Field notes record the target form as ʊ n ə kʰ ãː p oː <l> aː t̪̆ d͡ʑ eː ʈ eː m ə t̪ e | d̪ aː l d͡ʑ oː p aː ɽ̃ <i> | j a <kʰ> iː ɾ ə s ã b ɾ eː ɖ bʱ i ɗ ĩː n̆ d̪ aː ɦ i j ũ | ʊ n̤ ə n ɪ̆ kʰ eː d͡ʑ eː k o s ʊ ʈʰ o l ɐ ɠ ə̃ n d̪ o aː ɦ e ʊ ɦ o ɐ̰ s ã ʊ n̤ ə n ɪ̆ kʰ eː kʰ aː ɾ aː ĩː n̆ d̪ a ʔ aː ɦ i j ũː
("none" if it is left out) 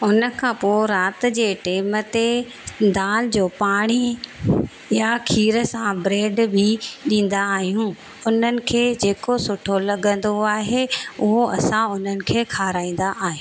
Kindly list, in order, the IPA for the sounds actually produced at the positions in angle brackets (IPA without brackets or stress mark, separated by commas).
ɾ, i, kʰ